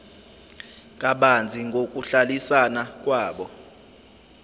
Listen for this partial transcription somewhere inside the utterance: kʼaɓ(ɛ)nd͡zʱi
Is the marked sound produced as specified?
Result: no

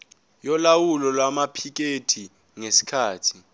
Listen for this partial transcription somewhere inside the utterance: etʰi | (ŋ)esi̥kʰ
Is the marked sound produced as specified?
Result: yes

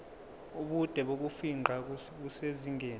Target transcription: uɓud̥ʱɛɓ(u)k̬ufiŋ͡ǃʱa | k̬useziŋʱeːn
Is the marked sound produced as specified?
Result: no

